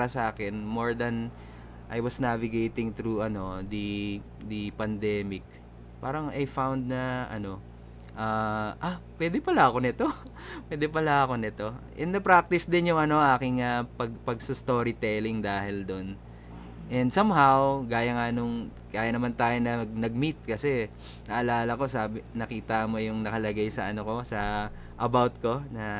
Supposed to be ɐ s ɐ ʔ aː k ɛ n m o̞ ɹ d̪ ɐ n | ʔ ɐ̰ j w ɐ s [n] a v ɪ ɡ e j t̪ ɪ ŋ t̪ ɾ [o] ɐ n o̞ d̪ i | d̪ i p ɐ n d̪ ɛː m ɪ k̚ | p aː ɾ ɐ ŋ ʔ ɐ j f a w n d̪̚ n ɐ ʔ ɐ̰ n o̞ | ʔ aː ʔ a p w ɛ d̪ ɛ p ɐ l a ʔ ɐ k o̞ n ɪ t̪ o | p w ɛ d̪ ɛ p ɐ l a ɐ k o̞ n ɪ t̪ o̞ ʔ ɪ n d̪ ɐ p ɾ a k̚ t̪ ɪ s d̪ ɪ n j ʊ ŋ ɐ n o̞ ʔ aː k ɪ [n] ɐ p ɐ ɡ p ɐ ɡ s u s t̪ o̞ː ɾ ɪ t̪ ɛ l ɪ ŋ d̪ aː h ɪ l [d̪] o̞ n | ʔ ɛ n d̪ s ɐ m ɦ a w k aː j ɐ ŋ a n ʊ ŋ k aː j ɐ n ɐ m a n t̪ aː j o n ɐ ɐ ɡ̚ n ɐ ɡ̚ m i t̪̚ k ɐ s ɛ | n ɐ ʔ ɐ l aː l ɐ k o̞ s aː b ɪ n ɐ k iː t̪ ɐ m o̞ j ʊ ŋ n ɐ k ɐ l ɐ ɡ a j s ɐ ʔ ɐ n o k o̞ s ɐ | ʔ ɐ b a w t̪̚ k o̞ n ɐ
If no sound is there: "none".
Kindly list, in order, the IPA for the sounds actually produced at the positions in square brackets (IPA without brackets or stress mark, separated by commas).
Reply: n, u, ŋ, d̪